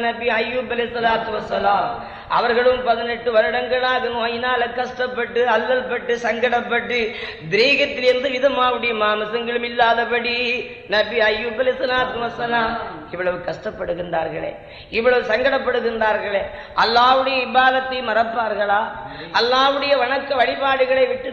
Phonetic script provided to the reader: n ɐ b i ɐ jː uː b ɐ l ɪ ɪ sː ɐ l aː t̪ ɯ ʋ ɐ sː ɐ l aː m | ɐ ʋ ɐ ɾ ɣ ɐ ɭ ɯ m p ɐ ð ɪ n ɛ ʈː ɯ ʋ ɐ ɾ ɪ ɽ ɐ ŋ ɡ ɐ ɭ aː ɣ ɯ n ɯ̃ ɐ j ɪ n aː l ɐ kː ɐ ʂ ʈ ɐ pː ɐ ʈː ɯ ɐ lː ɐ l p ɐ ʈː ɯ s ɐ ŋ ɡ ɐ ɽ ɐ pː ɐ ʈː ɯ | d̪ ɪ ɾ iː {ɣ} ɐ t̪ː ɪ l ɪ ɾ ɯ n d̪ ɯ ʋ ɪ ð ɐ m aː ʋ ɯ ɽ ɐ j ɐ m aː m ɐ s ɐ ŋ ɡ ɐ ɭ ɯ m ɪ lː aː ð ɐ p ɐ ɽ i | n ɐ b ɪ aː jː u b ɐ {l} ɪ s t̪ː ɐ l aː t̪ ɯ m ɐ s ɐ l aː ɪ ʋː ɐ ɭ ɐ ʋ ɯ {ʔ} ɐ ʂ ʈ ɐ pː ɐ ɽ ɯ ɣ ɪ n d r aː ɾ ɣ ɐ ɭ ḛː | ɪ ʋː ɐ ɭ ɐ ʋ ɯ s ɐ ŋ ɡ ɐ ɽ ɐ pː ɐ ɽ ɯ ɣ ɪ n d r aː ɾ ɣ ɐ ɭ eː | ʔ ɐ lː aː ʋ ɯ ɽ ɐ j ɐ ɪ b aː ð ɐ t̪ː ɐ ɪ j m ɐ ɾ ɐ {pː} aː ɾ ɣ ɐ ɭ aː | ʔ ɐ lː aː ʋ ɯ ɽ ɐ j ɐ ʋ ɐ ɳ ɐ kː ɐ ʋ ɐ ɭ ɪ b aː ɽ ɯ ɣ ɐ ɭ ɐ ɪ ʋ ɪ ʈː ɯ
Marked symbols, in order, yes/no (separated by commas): yes, yes, no, yes